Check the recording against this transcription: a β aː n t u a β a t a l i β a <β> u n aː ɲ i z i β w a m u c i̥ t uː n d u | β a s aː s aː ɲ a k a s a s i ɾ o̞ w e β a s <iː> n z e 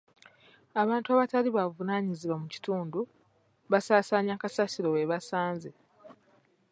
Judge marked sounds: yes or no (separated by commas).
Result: no, no